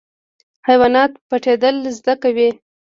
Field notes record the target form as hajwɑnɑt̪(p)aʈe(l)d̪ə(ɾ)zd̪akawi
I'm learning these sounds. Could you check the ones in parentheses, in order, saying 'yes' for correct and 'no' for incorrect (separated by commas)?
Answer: yes, no, no